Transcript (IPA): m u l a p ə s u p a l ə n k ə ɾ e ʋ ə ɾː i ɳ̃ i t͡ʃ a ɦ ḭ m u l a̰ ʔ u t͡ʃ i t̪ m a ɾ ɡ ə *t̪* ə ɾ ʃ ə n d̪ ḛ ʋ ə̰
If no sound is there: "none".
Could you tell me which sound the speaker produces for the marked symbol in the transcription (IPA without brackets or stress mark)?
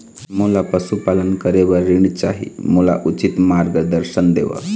d̪